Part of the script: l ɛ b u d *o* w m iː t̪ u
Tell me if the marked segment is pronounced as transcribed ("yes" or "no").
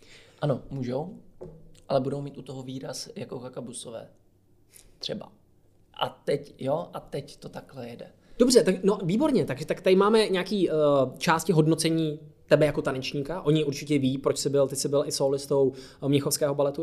yes